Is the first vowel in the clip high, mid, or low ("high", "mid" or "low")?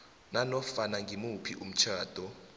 low